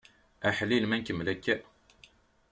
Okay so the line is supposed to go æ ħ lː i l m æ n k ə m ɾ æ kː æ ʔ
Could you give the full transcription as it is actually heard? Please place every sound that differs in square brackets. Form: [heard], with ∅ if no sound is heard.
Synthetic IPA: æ ħ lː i l m æ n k ə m [l] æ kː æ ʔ